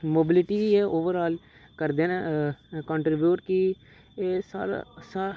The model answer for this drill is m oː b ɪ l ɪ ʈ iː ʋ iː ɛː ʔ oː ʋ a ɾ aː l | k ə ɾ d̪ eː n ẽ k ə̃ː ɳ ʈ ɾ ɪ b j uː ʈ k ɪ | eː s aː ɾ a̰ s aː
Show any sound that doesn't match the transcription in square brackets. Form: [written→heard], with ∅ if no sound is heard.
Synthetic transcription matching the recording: m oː b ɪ l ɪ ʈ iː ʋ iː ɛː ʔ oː ʋ [a→ə] ɾ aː l | k ə ɾ d̪ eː n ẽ k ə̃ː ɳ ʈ ɾ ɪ b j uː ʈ k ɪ | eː s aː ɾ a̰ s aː